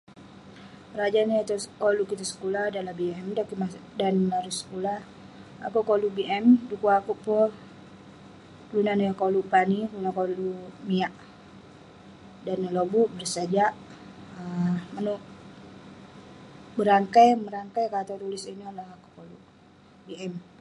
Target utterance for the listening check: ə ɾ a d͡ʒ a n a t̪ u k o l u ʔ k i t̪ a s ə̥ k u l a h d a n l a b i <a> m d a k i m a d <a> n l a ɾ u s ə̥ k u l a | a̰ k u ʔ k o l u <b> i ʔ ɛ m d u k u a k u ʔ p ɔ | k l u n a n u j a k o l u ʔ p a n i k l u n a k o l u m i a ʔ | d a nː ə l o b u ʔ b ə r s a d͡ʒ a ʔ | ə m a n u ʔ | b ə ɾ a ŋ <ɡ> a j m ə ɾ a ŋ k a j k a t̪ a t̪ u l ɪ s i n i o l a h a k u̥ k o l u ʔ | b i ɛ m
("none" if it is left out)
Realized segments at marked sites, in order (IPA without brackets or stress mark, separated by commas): ɛ, a, b, k